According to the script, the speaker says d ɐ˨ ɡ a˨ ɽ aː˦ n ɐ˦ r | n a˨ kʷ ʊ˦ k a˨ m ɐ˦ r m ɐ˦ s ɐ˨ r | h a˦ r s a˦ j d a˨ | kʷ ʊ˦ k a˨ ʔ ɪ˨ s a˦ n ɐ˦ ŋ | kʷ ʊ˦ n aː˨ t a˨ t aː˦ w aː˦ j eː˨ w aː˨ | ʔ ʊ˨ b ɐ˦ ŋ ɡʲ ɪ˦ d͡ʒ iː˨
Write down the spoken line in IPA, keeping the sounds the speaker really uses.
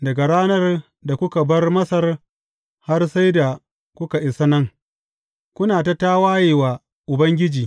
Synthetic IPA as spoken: d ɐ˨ ɡ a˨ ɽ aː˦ n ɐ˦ r | d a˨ kʷ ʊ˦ k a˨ b ɐ˦ r m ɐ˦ s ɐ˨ r | h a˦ r s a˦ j d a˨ | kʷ ʊ˦ k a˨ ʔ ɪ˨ s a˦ n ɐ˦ ŋ | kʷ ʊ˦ n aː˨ t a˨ t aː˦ w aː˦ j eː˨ w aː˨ | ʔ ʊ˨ b ɐ˦ ŋ ɡʲ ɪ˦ d͡ʒ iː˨